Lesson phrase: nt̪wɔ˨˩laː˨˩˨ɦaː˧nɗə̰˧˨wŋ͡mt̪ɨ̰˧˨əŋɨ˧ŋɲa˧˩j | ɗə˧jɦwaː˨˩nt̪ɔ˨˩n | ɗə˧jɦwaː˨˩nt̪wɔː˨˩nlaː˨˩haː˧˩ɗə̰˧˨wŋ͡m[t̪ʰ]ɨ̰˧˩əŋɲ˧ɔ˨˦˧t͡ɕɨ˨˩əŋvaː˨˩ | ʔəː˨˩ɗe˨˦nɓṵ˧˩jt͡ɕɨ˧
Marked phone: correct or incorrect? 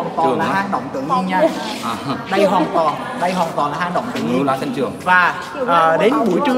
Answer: incorrect